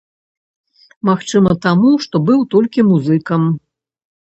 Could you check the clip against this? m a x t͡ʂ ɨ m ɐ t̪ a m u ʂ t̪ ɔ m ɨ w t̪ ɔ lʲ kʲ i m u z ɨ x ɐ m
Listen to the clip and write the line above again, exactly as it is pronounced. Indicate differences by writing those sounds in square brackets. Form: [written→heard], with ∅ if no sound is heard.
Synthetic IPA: m a x t͡ʂ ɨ m ɐ t̪ a m u ʂ t̪ ɔ [m→b] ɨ w t̪ ɔ lʲ kʲ i m u z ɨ [x→k] ɐ m